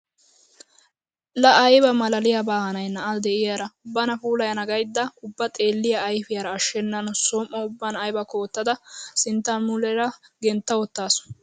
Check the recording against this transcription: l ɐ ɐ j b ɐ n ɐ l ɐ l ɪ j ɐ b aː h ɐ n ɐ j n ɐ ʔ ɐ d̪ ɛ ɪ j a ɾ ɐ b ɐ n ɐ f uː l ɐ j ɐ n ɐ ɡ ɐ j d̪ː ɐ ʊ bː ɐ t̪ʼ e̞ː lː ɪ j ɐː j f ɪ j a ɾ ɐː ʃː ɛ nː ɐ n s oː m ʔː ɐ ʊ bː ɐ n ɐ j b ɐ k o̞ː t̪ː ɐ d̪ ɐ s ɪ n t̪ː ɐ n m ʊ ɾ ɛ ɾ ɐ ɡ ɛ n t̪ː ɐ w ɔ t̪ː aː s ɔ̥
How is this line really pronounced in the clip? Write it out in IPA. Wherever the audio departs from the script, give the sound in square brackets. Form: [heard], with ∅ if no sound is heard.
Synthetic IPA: l ɐ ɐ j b ɐ [m] ɐ l ɐ l ɪ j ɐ b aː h ɐ n ɐ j n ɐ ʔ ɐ d̪ ɛ ɪ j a ɾ ɐ b ɐ n ɐ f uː l ɐ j ɐ n ɐ ɡ ɐ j d̪ː ɐ ʊ bː ɐ t̪ʼ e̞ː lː ɪ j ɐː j f ɪ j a ɾ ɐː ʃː ɛ nː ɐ n s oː m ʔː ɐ ʊ bː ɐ n ɐ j b ɐ k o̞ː t̪ː ɐ d̪ ɐ s ɪ n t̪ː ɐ n m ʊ [l] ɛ ɾ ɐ ɡ ɛ n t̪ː ɐ w ɔ t̪ː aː s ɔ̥